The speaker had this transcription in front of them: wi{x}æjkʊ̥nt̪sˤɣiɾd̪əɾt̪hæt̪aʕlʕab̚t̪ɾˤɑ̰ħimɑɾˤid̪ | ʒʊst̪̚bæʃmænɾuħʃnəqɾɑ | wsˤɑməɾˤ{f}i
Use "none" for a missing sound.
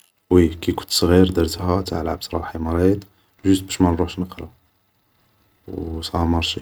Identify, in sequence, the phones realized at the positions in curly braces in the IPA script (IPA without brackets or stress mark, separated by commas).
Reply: k, ʃ